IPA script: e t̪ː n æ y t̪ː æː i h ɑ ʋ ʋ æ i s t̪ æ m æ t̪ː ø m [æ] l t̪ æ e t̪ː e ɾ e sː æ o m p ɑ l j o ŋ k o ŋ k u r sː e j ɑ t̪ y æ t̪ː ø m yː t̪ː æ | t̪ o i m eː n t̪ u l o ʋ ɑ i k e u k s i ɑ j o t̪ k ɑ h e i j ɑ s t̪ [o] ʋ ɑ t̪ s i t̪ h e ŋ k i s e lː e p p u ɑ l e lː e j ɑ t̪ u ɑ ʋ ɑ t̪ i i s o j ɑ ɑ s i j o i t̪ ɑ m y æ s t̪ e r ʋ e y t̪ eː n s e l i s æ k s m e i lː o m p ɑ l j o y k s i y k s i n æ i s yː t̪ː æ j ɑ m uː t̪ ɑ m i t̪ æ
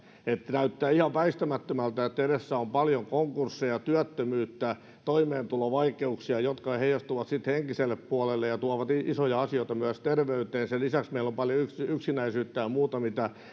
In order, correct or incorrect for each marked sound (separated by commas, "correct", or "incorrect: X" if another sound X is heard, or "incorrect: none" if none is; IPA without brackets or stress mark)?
correct, incorrect: u